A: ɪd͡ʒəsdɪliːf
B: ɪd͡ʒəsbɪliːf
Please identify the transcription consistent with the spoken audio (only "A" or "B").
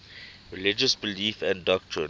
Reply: B